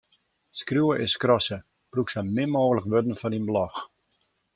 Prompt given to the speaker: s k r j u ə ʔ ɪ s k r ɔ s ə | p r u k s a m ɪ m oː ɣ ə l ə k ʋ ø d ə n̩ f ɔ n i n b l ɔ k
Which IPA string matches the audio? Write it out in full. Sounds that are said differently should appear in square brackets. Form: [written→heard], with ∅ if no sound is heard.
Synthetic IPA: s k r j u ə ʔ ɪ s k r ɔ s ə | p r u k s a m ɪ m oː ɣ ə l ə k ʋ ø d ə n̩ f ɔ n i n b l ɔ [k→x]

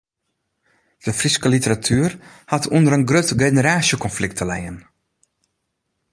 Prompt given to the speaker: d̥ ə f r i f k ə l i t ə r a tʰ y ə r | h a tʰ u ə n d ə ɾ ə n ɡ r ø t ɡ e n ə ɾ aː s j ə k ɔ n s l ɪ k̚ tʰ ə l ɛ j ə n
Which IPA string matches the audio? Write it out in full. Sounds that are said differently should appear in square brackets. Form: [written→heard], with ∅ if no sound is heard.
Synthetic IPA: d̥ ə f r i [f→s] k ə l i t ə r a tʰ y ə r | h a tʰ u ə n d ə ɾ ə n ɡ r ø t ɡ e n ə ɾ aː s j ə k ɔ n [s→f] l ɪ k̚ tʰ ə l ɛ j ə n

